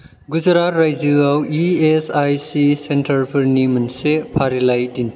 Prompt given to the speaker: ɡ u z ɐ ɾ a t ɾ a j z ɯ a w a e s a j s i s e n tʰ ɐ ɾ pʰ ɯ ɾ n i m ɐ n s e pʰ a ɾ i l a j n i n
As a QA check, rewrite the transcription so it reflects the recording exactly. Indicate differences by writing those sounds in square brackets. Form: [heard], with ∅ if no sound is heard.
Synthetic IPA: ɡ u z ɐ ɾ a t ɾ a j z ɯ a w [i] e s a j s i s e n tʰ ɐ ɾ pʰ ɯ ɾ n i m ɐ n s e pʰ a ɾ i l a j [d] i n